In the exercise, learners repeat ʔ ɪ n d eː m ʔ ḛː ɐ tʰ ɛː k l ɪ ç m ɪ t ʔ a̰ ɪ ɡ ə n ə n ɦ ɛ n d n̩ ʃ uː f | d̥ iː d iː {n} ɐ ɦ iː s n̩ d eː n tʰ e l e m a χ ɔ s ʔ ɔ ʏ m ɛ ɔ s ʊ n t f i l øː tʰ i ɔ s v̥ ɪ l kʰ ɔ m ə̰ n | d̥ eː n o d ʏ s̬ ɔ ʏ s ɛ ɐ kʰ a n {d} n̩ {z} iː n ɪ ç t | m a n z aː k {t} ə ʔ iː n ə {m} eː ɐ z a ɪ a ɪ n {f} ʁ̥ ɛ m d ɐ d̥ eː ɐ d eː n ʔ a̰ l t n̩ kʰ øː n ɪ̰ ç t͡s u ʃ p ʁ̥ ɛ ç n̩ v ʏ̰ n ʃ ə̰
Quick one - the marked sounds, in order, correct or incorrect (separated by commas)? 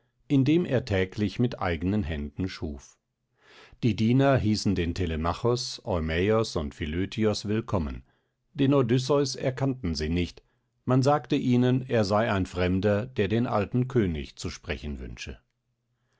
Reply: correct, incorrect, correct, correct, incorrect, correct